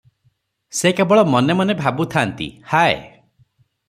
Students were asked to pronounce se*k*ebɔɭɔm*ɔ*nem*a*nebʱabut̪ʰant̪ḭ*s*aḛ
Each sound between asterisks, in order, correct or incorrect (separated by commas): correct, correct, correct, incorrect